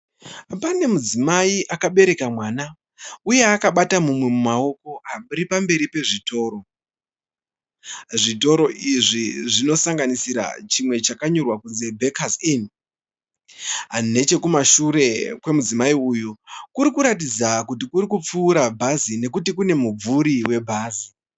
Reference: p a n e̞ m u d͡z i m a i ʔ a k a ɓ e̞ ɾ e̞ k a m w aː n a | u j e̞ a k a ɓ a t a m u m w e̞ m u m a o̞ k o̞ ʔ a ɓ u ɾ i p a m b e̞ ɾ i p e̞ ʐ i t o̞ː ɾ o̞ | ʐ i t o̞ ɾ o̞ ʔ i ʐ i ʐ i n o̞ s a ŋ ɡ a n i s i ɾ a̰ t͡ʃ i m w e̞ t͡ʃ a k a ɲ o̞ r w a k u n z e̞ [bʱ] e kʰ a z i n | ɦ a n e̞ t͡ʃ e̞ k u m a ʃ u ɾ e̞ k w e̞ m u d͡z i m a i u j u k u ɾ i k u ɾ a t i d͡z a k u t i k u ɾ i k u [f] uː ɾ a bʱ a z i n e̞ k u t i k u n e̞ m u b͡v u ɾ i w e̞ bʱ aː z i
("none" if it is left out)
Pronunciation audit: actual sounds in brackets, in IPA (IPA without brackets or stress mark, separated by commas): bʱ, p͡f